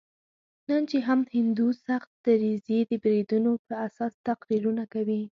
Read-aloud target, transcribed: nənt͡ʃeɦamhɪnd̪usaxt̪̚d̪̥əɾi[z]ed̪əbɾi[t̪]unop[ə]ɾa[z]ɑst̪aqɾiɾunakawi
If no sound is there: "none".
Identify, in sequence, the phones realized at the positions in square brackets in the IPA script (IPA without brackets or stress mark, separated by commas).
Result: z, d̪, ə, s